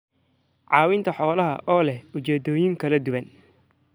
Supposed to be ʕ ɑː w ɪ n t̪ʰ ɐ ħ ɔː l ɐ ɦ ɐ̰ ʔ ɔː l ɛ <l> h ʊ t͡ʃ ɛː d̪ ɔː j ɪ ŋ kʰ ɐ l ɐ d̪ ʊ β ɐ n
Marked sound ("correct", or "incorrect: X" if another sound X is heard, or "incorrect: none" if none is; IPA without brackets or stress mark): incorrect: none